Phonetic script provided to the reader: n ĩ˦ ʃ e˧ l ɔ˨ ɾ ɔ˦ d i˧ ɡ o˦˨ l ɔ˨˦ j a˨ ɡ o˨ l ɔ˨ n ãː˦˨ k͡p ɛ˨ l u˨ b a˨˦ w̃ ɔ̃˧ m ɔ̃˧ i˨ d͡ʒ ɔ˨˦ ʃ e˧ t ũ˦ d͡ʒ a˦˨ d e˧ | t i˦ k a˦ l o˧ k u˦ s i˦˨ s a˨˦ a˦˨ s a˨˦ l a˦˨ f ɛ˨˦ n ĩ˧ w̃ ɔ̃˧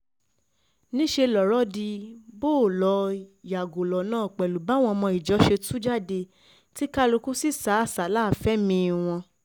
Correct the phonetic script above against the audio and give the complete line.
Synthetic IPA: n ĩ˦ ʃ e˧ l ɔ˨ ɾ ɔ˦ d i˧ b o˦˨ l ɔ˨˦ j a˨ ɡ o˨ l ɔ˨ n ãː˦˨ k͡p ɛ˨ l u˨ b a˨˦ w̃ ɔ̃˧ m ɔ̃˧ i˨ d͡ʒ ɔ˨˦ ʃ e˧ t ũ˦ d͡ʒ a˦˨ d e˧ | t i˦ k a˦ l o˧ k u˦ s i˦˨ s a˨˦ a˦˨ s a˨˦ l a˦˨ f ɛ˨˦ m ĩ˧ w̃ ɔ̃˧